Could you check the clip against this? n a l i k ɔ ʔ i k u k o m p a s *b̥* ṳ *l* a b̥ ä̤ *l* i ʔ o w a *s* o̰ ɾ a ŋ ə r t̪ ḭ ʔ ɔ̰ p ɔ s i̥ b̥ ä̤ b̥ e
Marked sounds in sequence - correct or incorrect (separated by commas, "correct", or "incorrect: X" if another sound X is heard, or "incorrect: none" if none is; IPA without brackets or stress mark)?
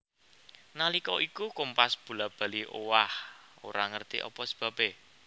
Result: correct, correct, correct, incorrect: h